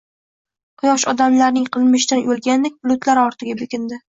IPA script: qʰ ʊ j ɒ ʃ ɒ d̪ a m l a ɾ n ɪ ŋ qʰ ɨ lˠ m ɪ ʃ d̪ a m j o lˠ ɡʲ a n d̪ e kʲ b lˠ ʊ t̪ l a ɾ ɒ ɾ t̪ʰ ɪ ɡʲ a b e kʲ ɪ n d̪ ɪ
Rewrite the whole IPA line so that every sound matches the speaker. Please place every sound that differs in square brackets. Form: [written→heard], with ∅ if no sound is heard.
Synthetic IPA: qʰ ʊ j ɒ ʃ ɒ d̪ a m l a ɾ n ɪ ŋ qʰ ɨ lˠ m ɪ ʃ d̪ a [m→n] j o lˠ ɡʲ a n d̪ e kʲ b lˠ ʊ t̪ l a ɾ ɒ ɾ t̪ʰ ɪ ɡʲ a b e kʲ ɪ n d̪ ɪ